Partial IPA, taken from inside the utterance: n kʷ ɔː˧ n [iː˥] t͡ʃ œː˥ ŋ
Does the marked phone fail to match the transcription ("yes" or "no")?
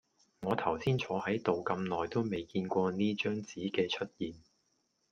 no